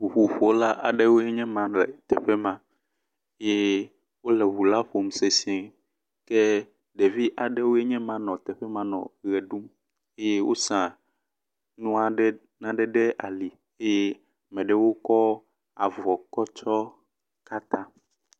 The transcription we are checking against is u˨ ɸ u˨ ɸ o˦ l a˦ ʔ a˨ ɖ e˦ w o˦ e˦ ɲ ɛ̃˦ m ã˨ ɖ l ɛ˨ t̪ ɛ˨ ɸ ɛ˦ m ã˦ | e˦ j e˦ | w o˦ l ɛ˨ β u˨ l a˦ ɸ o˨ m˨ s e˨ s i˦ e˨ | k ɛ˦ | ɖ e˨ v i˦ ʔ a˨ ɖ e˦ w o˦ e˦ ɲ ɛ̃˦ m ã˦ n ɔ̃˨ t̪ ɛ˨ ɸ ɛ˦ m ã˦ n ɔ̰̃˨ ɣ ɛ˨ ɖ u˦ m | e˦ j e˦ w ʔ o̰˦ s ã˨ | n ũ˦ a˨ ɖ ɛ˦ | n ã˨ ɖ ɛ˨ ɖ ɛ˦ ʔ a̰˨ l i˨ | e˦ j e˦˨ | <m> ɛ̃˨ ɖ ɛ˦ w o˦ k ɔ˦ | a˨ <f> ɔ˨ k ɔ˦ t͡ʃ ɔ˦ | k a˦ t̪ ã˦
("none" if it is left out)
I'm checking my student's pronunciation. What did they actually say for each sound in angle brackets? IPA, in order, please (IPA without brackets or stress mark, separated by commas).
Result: m, v